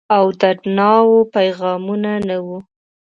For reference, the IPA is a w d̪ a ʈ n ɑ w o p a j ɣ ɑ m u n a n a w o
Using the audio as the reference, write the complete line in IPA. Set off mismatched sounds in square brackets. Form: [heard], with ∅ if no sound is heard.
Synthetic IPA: a w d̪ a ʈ n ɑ w o p a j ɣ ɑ m u n a n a w [u]